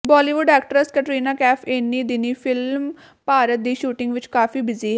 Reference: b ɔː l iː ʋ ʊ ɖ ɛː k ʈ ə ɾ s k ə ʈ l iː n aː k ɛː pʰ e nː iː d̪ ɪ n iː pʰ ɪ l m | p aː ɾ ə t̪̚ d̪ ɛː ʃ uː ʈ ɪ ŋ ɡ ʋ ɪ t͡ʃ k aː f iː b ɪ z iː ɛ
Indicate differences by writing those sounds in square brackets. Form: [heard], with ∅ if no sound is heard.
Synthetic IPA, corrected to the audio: b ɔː l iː ʋ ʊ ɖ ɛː k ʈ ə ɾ s k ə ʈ [ɾ] iː n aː k ɛː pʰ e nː iː d̪ ɪ n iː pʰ ɪ l m | p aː ɾ ə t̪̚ d̪ [iː] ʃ uː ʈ ɪ ŋ ɡ ʋ ɪ t͡ʃ k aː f iː b ɪ z iː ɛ